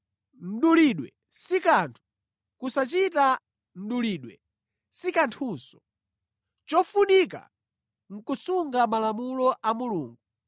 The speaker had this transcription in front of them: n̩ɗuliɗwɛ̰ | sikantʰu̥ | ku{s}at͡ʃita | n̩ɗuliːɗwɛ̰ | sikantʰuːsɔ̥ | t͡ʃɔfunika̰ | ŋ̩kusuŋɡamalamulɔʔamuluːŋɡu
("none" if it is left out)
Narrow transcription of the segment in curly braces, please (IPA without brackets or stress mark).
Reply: s